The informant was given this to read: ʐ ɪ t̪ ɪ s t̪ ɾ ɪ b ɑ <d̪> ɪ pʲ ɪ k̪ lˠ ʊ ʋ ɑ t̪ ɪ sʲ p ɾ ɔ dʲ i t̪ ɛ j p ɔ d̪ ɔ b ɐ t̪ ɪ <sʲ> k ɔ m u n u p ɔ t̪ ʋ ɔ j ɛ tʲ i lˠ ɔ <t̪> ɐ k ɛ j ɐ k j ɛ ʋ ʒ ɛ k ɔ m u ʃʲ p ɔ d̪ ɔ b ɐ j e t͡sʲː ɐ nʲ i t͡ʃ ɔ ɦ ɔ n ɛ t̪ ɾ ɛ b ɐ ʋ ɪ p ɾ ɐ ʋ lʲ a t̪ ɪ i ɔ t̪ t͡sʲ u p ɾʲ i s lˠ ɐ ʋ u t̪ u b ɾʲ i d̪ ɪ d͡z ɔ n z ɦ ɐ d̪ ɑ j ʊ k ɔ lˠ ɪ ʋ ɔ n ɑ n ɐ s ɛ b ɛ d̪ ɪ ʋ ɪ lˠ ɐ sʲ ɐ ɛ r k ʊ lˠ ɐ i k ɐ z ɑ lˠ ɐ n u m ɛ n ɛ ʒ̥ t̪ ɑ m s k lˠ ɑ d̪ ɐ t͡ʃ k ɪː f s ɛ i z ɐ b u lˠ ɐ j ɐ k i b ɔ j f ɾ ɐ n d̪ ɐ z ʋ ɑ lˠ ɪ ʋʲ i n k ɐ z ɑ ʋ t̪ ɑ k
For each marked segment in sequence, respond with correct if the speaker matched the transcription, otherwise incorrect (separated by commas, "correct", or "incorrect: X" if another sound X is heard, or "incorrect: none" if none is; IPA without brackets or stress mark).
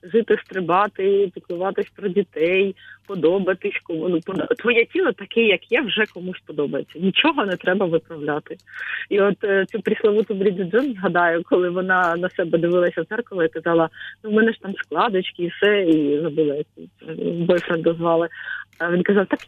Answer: incorrect: t̪, correct, correct